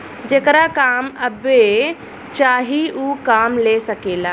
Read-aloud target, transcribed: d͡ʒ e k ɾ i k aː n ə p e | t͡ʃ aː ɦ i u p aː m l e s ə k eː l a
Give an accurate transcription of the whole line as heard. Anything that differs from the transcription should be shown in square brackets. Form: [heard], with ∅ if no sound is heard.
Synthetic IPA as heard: d͡ʒ e k ɾ [a] k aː [m] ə [b] e | t͡ʃ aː ɦ i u [k] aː m l e s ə k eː l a